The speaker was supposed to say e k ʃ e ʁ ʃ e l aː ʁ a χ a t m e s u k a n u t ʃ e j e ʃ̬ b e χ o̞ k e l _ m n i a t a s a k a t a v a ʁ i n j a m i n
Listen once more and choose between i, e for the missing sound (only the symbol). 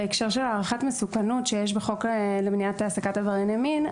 e